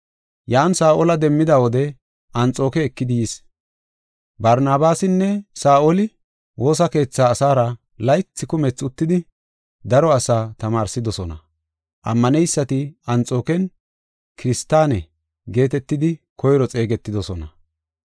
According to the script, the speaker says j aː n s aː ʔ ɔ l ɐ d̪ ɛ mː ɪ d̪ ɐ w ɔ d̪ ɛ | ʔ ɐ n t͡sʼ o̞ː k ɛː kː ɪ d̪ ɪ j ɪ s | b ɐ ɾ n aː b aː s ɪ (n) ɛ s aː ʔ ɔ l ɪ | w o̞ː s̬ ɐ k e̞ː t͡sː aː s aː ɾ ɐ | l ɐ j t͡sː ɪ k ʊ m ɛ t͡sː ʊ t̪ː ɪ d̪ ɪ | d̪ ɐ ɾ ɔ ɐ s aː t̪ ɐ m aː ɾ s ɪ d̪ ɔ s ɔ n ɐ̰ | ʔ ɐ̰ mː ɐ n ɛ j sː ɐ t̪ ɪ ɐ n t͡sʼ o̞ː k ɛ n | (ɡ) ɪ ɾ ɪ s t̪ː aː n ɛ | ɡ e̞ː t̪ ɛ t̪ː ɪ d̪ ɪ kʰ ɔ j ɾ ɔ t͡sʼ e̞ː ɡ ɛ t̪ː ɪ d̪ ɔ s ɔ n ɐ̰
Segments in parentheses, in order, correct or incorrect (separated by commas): incorrect, incorrect